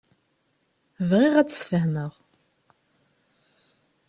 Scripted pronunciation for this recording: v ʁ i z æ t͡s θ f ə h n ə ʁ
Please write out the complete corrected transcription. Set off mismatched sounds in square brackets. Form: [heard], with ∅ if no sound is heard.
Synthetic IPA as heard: v ʁ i [ʁ] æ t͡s [s] f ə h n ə ʁ